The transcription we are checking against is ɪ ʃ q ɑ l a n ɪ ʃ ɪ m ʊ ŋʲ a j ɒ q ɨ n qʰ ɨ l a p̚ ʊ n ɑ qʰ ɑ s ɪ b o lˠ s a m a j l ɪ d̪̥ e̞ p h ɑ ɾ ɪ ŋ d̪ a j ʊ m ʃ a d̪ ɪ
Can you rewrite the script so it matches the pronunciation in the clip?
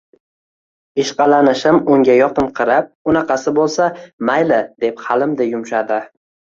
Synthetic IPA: ɪ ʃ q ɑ l a n ɪ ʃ ɪ m ʊ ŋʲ a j ɒ q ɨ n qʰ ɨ ɾ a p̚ ʊ n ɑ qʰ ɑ s ɪ b o lˠ s a m a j l ɪ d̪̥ e̞ p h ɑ l ɪ m d̪ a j ʊ m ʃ a d̪ ɪ